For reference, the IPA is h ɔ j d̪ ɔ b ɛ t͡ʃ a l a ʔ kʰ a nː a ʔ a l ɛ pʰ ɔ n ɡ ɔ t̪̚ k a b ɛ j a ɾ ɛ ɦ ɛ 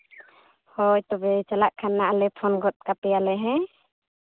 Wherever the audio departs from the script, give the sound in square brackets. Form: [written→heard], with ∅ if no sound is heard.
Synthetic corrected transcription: h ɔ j [d̪→t̪] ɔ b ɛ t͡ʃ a l a ʔ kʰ a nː a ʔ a l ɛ pʰ ɔ n ɡ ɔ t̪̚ k a [b→p] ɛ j a [ɾ→l] ɛ ɦ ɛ